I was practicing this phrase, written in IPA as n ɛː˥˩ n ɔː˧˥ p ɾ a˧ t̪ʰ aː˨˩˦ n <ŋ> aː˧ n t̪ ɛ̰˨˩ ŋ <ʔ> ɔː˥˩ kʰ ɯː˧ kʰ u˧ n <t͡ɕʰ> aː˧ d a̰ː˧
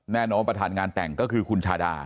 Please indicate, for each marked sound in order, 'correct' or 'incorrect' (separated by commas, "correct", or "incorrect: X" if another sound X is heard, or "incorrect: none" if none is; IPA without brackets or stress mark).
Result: correct, incorrect: k, correct